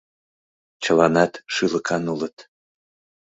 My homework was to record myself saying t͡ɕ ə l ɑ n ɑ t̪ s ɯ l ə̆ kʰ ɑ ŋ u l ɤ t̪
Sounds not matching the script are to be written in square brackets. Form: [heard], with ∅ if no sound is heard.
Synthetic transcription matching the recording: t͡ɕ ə l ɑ n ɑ t̪ [ʃ] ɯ l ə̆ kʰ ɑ [n] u l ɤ t̪